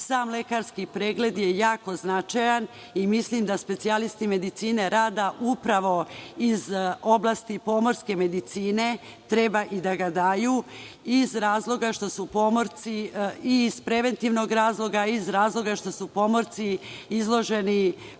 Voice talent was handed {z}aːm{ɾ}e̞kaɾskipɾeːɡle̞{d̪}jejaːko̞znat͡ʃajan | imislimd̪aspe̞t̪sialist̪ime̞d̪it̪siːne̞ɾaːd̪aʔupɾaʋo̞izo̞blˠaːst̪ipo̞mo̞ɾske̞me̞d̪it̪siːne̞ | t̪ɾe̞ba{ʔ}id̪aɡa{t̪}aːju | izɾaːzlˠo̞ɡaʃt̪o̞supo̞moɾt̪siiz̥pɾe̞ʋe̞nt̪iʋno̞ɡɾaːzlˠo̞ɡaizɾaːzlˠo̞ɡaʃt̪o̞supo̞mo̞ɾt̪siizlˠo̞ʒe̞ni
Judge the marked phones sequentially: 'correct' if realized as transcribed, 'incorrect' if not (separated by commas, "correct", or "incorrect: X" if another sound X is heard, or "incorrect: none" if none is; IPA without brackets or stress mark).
incorrect: s, incorrect: l, correct, correct, incorrect: d̪